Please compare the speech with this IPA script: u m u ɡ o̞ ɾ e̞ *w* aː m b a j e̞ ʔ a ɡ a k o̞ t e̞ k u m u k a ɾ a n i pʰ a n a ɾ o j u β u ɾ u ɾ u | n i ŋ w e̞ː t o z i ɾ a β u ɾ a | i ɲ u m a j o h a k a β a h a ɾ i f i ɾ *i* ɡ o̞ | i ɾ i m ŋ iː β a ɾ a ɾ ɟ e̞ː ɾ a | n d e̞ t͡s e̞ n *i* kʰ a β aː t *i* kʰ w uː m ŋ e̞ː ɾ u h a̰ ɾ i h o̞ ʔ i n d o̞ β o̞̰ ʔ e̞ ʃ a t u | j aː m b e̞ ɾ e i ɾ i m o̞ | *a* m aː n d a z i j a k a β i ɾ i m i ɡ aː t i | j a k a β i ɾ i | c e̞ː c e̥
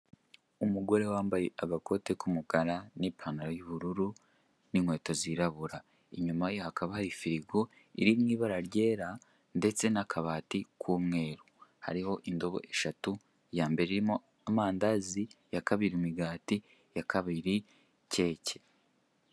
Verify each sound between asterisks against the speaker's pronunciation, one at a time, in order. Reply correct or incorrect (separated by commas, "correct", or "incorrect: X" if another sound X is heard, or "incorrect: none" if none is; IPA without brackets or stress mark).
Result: correct, correct, incorrect: a, correct, correct